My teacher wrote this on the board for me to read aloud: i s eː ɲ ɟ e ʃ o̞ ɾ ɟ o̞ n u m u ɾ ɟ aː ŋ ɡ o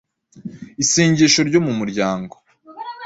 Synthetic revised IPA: i s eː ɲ ɟ e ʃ o̞ ɾ ɟ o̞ m u m u ɾ ɟ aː ŋ ɡ o